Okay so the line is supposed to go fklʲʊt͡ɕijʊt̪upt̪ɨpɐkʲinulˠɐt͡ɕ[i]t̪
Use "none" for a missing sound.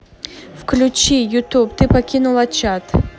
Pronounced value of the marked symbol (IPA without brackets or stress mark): a